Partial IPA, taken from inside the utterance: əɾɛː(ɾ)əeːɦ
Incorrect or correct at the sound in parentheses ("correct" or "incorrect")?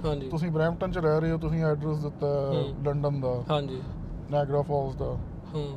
correct